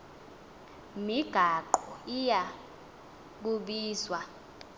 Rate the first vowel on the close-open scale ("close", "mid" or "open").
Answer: close